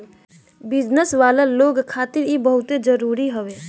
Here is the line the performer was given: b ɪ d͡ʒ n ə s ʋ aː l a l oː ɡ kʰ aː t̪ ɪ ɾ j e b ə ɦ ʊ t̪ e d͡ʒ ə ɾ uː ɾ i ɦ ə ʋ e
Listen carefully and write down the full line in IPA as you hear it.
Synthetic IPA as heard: b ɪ d͡ʒ n ə s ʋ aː l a l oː ɡ kʰ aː t̪ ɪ ɾ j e b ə ɦ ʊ t̪ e d͡ʒ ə ɾ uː ɾ i ɦ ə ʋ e